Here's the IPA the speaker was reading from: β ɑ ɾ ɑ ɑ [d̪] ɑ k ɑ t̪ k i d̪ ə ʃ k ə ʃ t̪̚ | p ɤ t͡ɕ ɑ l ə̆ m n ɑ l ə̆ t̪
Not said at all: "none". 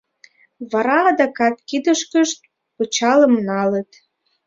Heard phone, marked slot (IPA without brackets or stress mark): d̪